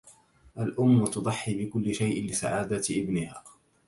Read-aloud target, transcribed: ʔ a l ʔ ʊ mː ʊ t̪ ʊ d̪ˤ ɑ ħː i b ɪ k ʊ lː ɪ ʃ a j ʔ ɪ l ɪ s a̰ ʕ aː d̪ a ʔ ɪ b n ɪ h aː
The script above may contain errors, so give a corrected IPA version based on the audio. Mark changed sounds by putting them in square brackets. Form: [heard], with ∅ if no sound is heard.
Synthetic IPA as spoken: ʔ a l ʔ ʊ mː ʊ t̪ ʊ d̪ˤ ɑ ħː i b ɪ k ʊ lː ɪ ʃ a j ʔ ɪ l ɪ s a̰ ʕ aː d̪ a ʔ ɪ b n ɪ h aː